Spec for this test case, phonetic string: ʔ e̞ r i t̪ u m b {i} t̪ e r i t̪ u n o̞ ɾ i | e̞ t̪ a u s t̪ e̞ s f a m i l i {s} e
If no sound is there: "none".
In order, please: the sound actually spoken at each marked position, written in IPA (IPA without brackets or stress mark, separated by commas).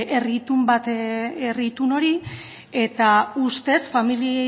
a, none